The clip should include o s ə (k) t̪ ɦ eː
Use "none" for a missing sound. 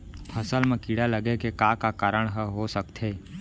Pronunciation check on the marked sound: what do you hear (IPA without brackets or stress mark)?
k